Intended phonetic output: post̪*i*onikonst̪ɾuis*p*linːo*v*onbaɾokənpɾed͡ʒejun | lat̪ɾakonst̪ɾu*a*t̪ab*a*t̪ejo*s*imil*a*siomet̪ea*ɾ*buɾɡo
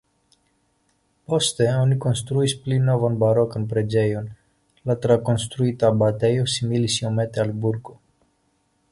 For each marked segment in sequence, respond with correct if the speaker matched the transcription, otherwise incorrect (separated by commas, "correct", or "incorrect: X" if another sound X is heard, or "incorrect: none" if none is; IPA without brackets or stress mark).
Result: incorrect: e, correct, correct, incorrect: i, correct, correct, incorrect: i, incorrect: l